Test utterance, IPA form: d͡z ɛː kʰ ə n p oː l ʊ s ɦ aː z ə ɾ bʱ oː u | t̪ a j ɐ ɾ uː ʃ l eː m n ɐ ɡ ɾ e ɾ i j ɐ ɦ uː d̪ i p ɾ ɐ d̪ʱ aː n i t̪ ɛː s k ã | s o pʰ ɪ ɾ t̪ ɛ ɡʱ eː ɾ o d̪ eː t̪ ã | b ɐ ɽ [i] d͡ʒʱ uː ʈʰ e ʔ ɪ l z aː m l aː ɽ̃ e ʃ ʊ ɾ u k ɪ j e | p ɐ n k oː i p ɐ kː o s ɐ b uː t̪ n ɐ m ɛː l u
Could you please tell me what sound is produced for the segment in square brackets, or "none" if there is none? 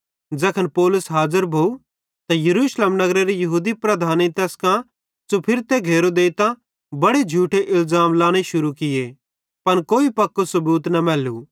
e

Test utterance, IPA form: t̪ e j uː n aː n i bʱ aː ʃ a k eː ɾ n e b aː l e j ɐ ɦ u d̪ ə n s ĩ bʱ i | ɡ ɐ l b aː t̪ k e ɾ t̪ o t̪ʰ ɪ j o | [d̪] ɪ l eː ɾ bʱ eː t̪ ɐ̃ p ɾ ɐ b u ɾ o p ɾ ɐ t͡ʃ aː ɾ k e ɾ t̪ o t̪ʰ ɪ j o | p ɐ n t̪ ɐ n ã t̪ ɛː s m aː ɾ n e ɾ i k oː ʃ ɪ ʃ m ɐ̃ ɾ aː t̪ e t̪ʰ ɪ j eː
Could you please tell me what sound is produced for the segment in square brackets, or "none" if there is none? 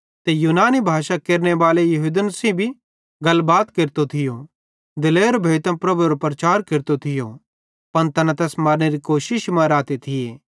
d̪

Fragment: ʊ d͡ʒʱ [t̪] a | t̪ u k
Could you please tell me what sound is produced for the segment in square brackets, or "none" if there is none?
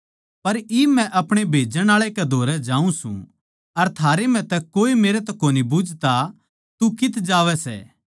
t̪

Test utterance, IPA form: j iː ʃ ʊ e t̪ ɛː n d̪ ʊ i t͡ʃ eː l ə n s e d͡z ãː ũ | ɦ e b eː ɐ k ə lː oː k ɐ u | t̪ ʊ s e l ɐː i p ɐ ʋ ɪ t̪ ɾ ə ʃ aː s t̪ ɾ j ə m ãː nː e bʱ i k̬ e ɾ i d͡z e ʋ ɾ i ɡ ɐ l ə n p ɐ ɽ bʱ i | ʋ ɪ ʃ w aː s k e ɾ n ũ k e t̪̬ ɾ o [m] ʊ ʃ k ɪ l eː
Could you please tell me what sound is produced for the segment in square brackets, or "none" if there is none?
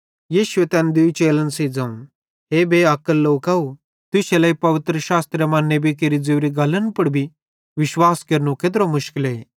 m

